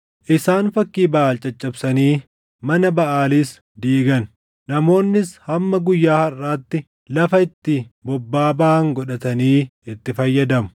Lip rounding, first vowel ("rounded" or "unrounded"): unrounded